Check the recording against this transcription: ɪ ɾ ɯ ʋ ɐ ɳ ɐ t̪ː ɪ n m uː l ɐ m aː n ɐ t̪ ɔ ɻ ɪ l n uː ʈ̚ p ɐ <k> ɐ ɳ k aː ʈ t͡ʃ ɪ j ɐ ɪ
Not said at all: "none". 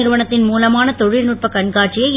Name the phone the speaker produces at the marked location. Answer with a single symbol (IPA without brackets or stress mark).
k